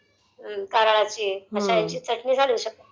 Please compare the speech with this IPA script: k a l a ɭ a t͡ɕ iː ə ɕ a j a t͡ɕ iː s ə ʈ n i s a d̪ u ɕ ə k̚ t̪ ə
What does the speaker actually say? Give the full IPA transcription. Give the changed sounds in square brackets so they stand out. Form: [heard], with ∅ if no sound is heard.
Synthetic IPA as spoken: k a [ɾ] a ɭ a t͡ɕ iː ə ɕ a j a t͡ɕ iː [t͡s] ə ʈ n i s a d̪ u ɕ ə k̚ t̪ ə